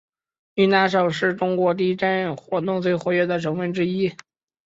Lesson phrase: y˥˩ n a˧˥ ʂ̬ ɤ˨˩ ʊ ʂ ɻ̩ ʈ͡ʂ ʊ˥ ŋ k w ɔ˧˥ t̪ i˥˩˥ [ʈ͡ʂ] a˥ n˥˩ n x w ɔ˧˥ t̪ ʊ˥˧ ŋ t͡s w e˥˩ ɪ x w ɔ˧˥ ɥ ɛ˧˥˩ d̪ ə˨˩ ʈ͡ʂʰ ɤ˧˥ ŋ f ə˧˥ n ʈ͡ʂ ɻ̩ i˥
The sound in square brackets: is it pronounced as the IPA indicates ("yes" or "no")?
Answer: yes